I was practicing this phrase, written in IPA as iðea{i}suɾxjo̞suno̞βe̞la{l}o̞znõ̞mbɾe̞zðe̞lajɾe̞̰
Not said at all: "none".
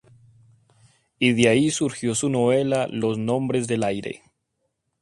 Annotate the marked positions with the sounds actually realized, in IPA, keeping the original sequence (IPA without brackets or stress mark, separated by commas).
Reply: i, l